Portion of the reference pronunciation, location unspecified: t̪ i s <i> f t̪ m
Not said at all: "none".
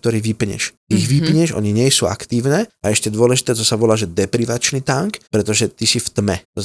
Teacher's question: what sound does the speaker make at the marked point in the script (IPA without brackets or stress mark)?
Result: i